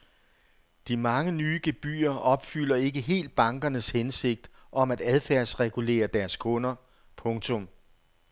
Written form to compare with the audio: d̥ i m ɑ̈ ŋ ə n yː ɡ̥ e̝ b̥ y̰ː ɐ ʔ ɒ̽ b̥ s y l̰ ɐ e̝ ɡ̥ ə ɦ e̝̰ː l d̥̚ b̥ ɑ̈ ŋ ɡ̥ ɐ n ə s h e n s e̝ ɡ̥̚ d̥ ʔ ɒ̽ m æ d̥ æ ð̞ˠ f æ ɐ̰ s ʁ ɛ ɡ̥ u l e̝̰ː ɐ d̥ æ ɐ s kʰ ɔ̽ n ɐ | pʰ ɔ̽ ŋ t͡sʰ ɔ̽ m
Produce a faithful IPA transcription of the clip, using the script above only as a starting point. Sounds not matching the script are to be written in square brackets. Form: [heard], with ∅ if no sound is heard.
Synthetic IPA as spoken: d̥ i m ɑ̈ ŋ ə n yː ɡ̥ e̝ b̥ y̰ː ɐ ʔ ɒ̽ b̥ [f] y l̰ ɐ e̝ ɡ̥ ə ɦ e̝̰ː l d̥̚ b̥ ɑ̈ ŋ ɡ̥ ɐ n ə s h e n s e̝ ɡ̥̚ d̥ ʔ ɒ̽ m æ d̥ æ ð̞ˠ f æ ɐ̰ s ʁ ɛ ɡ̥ u l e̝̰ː ɐ d̥ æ ɐ s kʰ ɔ̽ n ɐ | pʰ ɔ̽ ŋ t͡sʰ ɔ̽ m